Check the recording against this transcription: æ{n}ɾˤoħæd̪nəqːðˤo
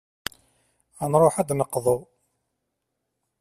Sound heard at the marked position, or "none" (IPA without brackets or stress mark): n